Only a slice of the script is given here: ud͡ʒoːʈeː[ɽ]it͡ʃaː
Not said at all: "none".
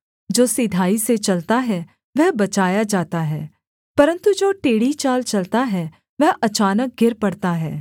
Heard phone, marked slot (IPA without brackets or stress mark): ɽ